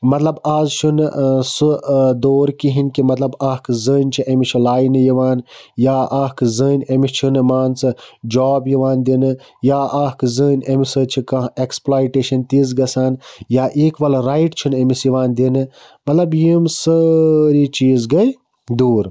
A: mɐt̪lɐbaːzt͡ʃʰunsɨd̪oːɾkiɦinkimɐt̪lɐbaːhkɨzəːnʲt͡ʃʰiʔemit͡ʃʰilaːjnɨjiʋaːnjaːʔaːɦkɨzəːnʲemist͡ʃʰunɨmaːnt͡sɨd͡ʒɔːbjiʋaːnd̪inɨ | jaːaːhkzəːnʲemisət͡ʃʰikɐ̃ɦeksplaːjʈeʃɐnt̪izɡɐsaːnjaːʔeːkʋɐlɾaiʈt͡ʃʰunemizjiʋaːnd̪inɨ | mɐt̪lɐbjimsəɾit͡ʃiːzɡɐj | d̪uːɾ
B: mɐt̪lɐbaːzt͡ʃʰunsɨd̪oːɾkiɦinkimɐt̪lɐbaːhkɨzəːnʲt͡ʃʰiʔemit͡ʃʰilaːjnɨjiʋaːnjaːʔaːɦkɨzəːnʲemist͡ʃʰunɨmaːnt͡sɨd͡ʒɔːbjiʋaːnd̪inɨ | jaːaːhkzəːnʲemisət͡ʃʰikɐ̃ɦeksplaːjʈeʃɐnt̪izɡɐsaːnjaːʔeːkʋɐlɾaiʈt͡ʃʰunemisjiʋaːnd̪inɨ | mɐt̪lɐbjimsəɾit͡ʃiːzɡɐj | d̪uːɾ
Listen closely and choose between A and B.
B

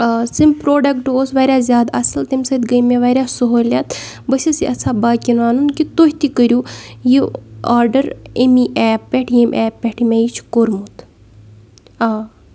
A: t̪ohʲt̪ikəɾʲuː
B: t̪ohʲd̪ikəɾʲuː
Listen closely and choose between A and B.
A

